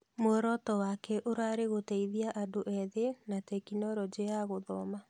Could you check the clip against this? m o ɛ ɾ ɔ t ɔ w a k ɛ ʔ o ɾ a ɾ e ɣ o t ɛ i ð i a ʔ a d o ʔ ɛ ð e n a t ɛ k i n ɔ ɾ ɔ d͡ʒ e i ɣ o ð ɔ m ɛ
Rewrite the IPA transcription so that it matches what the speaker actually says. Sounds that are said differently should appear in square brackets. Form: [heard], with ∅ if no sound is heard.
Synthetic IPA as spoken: m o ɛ ɾ ɔ t ɔ w a k ɛ ʔ o ɾ a ɾ e ɣ o t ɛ i ð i a ʔ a d o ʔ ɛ ð e n a t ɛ k i n ɔ ɾ ɔ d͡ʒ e [a] ɣ o ð ɔ m [a]